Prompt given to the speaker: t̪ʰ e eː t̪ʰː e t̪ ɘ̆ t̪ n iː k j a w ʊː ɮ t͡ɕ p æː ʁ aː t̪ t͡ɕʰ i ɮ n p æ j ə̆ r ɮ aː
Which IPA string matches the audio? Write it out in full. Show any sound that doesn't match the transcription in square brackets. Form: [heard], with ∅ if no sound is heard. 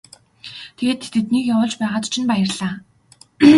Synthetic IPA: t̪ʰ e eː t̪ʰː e t̪ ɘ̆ t̪ n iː k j a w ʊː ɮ t͡ɕ p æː ʁ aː t̪ t͡ɕʰ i [∅] n p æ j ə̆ r ɮ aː